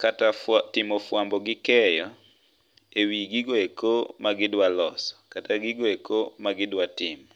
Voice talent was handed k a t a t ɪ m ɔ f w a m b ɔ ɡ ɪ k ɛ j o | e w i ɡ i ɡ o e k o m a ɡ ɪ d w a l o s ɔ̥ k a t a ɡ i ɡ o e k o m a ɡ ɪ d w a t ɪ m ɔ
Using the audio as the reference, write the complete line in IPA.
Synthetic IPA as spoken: k a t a t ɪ m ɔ f w a m b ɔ ɡ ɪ k ɛ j ɔ | e w i ɡ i ɡ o e k o m a ɡ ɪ d w a l ɔ s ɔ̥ k a t a ɡ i ɡ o e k o m a ɡ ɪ d w a t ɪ m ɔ